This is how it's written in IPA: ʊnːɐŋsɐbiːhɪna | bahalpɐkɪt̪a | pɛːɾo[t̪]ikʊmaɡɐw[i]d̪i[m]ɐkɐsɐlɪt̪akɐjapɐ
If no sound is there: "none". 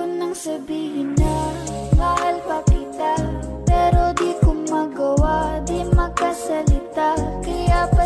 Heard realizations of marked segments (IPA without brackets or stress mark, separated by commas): d̪, a, m